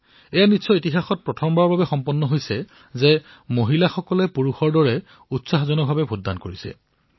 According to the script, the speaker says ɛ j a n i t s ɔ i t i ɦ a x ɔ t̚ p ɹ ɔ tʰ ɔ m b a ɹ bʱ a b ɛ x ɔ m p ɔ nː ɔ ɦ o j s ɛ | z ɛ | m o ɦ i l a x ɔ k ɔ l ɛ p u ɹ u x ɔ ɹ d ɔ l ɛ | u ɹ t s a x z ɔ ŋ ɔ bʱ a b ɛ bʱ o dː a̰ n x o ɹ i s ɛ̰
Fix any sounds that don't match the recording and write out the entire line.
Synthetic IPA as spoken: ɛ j a n i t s ɔ i t i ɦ a x ɔ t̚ p ɹ ɔ tʰ ɔ m b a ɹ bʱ a b ɛ x ɔ m p ɔ nː ɔ ɦ o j s ɛ | z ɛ | m o ɦ i l a x ɔ k ɔ l ɛ p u ɹ u x ɔ ɹ d ɔ ɹ ɛ | u t s a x z ɔ n ɔ bʱ a b ɛ bʱ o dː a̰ n k o ɹ i s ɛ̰